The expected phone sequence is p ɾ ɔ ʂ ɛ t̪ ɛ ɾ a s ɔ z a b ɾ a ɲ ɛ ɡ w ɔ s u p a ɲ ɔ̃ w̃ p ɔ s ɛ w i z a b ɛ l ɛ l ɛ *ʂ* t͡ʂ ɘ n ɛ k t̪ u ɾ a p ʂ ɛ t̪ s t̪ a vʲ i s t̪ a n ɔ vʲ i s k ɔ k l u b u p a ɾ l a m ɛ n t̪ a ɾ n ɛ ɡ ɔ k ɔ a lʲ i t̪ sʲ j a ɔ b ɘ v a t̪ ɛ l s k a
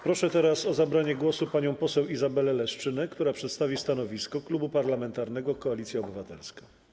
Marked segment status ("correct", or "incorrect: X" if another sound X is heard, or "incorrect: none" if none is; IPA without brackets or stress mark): correct